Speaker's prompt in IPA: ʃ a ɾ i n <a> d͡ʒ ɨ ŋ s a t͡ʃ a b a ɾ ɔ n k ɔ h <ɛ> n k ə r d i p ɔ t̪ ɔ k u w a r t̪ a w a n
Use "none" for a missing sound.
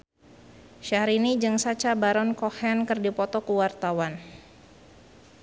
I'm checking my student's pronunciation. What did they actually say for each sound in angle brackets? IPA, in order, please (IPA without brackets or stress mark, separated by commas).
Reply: i, ɛ